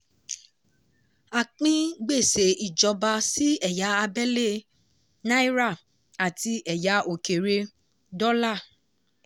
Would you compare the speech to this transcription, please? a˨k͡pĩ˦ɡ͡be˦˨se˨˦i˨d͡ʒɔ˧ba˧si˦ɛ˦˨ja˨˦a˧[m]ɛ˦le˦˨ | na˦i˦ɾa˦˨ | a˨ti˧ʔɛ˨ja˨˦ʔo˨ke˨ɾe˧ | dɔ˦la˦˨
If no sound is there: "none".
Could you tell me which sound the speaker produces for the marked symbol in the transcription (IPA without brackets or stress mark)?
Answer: b